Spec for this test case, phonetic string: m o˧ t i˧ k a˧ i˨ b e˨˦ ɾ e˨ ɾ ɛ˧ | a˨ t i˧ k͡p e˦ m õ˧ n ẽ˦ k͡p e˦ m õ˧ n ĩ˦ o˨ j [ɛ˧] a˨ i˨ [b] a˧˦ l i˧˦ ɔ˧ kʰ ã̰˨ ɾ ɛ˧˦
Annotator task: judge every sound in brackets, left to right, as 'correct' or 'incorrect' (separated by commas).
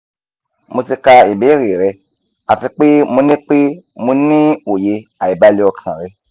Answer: incorrect, correct